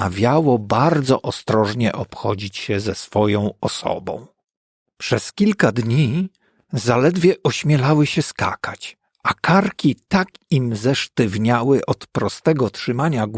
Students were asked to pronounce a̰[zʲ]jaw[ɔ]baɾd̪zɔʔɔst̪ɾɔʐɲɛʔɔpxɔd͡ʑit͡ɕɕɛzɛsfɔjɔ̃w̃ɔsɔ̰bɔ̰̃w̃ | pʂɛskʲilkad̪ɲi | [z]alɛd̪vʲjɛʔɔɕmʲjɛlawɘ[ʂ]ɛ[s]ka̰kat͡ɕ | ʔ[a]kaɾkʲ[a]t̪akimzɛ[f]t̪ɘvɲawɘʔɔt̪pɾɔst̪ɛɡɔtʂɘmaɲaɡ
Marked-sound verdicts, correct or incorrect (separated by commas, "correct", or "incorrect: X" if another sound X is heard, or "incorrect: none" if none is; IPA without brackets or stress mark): incorrect: vʲ, correct, correct, incorrect: ɕ, correct, correct, incorrect: i, incorrect: ʂ